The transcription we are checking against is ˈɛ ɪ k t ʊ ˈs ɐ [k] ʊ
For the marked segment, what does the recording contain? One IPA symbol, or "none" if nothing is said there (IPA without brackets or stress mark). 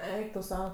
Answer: none